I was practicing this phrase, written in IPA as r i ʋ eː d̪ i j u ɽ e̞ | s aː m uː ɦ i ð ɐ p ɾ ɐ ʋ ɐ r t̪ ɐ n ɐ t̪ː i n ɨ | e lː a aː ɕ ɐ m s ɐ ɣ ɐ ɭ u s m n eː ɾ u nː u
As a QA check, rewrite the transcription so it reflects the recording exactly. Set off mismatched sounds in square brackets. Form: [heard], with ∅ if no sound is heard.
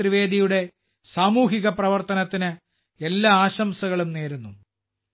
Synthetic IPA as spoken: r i ʋ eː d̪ i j u ɽ e̞ | s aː m uː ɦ i [ɣ] ɐ p [r] ɐ ʋ ɐ r t̪ ɐ n ɐ t̪ː i n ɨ | e lː a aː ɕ ɐ m s ɐ ɣ ɐ ɭ u [∅] m n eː ɾ u nː u